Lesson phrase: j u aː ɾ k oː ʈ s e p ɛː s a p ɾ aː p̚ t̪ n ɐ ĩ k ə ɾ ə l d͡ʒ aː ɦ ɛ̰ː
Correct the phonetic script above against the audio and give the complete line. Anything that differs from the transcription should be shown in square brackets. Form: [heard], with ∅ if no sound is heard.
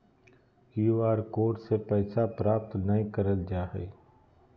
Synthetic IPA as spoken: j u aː ɾ k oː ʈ s e p ɛː s a p ɾ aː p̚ t̪ n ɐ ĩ k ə ɾ ə l d͡ʒ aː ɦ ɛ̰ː